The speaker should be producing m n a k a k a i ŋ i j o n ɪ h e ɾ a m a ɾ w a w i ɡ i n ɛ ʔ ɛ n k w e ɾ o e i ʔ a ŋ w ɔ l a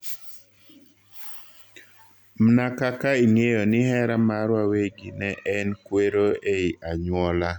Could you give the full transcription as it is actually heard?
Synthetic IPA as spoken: m n a k a k a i ŋ e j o n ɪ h ɛ ɾ a m a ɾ w a w e ɡ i n ɛ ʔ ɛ n k w e ɾ o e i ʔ a ɲ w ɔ l a